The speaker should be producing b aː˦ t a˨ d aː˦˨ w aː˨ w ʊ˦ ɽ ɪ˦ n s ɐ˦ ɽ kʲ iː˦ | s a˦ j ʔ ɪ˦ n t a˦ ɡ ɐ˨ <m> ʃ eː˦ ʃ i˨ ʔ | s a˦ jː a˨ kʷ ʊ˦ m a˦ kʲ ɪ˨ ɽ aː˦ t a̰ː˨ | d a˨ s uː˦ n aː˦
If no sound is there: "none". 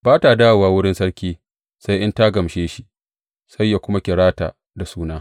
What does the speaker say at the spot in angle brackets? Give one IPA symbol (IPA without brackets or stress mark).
m